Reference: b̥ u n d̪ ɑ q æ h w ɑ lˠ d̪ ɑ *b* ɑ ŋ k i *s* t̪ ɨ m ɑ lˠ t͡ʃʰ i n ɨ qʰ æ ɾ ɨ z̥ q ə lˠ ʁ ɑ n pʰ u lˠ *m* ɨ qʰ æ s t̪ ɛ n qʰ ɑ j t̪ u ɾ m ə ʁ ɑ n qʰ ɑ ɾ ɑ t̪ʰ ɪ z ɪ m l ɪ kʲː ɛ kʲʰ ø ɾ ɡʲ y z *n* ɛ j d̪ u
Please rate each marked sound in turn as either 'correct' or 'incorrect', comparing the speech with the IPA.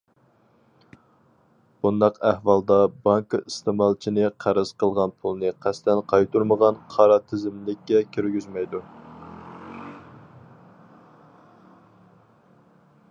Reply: correct, correct, incorrect, incorrect

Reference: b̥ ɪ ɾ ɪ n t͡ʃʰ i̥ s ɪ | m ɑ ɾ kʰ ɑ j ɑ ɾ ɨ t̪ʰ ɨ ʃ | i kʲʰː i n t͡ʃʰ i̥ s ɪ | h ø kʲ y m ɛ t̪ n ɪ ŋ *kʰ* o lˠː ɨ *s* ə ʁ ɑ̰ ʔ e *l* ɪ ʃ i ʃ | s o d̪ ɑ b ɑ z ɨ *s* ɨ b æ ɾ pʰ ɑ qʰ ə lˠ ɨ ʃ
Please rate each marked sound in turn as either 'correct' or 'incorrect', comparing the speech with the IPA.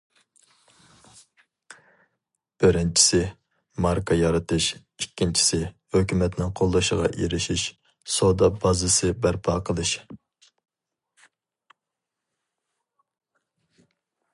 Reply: incorrect, incorrect, incorrect, correct

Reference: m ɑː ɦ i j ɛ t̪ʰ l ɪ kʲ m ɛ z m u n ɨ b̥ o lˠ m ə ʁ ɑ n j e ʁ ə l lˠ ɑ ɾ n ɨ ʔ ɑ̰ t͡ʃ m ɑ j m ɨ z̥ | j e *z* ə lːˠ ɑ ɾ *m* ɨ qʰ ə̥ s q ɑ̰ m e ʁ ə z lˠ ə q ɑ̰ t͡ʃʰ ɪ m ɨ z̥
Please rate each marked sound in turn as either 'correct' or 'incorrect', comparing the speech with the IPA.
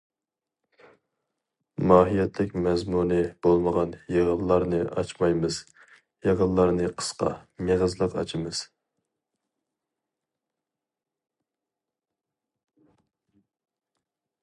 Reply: incorrect, incorrect

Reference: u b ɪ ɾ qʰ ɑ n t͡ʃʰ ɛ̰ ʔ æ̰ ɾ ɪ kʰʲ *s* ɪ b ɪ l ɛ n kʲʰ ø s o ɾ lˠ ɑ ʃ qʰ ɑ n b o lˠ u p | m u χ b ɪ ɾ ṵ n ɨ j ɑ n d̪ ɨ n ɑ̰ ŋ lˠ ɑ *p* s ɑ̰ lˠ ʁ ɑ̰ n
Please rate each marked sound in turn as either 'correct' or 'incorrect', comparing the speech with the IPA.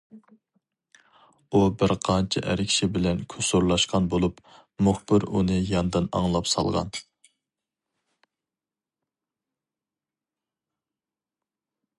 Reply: incorrect, correct

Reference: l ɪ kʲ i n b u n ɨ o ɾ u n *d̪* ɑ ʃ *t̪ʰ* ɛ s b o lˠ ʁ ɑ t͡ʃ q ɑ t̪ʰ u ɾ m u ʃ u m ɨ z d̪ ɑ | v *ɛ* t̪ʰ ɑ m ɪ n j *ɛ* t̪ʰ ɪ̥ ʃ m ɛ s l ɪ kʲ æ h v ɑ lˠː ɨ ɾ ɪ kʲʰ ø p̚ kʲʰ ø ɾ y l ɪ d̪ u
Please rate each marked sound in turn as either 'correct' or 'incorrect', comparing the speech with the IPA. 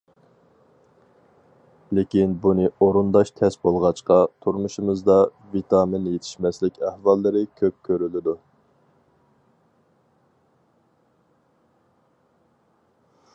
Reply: correct, correct, incorrect, incorrect

